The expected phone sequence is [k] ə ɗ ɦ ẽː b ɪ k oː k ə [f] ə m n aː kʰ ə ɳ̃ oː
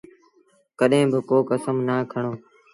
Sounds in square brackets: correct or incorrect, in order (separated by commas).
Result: correct, incorrect